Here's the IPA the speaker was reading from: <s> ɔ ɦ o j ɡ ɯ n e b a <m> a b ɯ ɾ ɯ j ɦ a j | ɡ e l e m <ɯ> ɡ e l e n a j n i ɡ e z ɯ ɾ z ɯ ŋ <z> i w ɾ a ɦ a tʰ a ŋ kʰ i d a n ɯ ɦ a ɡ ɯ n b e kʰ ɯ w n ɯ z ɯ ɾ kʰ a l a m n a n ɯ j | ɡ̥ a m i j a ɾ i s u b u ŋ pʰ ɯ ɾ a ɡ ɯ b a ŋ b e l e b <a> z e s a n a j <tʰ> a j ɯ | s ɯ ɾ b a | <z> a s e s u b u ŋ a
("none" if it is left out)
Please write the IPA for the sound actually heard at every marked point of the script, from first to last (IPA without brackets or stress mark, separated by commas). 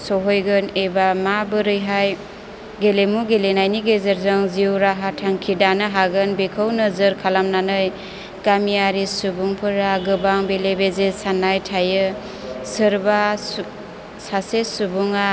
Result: s, m, u, z, e, tʰ, s